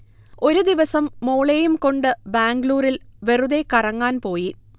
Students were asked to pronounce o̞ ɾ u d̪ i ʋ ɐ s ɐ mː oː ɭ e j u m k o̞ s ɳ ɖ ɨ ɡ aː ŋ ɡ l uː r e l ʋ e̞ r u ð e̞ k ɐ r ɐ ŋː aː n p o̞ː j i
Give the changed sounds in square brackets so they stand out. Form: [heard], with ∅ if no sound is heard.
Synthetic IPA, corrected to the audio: o̞ ɾ u d̪ i ʋ ɐ s ɐ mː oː ɭ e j u m k o̞ [∅] ɳ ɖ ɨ [b] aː ŋ ɡ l uː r [i] l ʋ e̞ r u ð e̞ k ɐ r ɐ ŋː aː n p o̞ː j i